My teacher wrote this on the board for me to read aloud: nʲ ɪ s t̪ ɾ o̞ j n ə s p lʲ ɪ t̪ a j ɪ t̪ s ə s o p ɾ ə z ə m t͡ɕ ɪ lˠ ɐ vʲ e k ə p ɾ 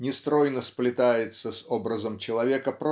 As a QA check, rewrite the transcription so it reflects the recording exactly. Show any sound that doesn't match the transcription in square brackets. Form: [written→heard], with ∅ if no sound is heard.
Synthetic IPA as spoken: nʲ ɪ s t̪ ɾ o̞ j n ə s p lʲ ɪ t̪ a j ɪ t̪ s ə s o [p→b] ɾ ə z ə m t͡ɕ ɪ lˠ ɐ vʲ e k ə p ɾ